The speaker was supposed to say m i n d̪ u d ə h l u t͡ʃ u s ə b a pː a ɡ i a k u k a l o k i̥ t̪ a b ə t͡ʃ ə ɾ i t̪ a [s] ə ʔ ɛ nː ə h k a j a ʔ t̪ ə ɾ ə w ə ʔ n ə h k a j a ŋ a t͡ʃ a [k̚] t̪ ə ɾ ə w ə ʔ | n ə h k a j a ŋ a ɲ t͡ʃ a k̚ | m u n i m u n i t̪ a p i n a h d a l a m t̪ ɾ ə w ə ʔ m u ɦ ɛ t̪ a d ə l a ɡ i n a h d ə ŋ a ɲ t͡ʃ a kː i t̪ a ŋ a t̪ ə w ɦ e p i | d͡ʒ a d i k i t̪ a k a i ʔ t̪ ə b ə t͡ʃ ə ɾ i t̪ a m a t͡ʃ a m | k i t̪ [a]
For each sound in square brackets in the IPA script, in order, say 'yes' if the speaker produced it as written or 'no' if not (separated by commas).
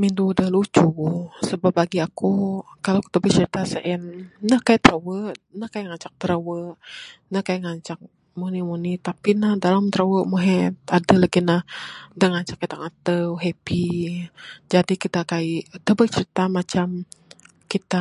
yes, yes, yes